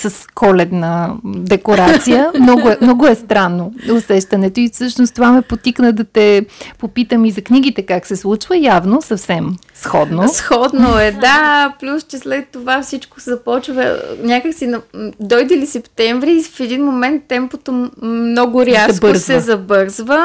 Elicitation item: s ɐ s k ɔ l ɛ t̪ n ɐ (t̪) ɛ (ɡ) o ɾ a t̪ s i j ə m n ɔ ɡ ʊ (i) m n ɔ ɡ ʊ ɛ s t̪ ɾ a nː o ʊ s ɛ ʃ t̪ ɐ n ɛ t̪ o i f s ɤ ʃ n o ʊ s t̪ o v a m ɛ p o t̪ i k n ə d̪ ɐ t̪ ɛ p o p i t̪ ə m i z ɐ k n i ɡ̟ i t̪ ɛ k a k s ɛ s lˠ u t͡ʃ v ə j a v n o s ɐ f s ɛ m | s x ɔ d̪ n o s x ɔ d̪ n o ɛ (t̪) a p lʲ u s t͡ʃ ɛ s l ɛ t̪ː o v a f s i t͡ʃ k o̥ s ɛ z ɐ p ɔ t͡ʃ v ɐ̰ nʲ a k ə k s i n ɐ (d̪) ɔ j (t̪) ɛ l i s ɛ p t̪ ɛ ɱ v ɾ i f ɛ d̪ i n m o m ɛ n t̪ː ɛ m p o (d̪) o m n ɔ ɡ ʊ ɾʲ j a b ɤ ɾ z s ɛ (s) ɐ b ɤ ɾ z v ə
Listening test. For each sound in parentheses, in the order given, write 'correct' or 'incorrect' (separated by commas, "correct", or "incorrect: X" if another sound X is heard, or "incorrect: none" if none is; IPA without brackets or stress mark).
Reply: incorrect: d̪, incorrect: k, incorrect: ɛ, incorrect: d̪, correct, incorrect: d̪, incorrect: t̪, incorrect: z